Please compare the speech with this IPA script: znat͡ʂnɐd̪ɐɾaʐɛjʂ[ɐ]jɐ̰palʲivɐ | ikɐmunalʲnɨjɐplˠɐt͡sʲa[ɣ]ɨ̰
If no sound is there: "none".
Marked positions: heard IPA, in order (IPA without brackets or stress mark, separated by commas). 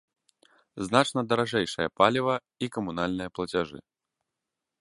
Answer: ɐ, ʐ